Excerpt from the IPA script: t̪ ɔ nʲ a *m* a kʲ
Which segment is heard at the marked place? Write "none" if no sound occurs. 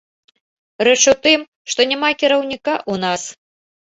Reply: m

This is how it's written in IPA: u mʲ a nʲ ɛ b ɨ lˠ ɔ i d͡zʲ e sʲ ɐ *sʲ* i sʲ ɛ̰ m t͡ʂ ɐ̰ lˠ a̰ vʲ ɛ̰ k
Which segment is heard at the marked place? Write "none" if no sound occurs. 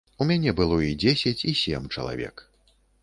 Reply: t͡sʲ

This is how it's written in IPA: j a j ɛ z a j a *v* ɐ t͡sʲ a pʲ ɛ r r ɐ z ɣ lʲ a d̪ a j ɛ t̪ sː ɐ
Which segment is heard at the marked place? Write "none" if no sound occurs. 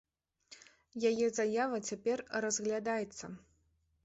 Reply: v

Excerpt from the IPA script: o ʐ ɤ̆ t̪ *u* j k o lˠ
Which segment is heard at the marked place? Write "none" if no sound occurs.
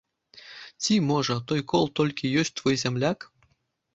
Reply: o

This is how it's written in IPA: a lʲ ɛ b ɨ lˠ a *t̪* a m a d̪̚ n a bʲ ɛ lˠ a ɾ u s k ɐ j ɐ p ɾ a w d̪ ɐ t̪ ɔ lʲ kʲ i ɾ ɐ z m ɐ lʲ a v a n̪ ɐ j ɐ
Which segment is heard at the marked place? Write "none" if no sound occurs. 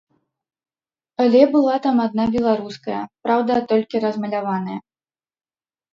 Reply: t̪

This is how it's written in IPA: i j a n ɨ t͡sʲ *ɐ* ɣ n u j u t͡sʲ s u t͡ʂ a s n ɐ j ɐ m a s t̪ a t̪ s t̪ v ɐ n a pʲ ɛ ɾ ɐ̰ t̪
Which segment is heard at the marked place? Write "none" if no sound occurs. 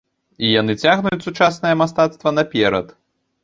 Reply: a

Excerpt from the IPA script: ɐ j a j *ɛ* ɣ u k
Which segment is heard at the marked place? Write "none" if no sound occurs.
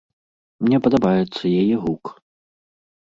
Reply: ɛ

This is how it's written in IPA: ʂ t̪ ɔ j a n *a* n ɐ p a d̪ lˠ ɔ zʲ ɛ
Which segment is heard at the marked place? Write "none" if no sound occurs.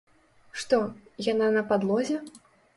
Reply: a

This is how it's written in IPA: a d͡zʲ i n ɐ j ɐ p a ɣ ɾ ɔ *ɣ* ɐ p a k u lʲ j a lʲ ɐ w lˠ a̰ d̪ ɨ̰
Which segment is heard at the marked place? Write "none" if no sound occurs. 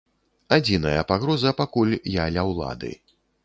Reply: z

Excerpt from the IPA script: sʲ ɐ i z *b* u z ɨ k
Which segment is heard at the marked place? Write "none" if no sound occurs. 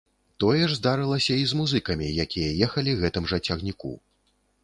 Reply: m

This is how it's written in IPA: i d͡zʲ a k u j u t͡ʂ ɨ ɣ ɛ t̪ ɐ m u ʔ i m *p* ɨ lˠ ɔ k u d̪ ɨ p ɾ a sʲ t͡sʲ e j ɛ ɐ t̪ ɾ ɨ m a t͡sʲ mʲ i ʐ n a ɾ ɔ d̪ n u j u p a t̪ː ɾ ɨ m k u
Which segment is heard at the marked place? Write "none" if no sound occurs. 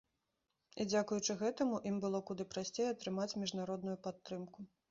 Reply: b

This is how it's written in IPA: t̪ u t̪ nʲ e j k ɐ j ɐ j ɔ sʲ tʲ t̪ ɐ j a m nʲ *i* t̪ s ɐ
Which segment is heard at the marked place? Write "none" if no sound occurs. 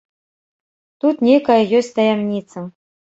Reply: i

